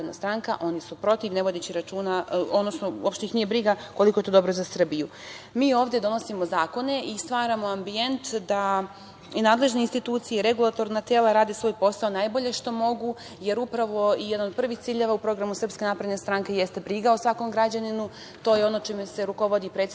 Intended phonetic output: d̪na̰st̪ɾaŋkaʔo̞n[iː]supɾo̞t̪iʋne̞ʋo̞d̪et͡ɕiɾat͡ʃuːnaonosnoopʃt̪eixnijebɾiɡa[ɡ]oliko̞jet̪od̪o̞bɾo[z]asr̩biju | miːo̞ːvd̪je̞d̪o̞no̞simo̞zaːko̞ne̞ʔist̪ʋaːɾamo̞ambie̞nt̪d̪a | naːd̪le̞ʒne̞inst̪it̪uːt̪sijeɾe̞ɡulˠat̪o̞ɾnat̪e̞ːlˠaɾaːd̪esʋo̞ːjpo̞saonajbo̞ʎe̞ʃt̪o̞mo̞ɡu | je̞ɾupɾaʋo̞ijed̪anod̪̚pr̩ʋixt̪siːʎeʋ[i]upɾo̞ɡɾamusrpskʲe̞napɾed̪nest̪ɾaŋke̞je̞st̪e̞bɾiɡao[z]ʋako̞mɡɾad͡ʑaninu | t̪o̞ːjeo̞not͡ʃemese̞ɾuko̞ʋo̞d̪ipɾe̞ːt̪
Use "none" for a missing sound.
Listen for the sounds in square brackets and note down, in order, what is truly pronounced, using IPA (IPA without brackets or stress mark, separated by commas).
i, k, z, a, s